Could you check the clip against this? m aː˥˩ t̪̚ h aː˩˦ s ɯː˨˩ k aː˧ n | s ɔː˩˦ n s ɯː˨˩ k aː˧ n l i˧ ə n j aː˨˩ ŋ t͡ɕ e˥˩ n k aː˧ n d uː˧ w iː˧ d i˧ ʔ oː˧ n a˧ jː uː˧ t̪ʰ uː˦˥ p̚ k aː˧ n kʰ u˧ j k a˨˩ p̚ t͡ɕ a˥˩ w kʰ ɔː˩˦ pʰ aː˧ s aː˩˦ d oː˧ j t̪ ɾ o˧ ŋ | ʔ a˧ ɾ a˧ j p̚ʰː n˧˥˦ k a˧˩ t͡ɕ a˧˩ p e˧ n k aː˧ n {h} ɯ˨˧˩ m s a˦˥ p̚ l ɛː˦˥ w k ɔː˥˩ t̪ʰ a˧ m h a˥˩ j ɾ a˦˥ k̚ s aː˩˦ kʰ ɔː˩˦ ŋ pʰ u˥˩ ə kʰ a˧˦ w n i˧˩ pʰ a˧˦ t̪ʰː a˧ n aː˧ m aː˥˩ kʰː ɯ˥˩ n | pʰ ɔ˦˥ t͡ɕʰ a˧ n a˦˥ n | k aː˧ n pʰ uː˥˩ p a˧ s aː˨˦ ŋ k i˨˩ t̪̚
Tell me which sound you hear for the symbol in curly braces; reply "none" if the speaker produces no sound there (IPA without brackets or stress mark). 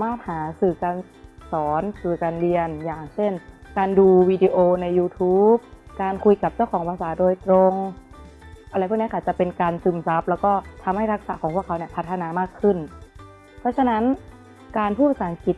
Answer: s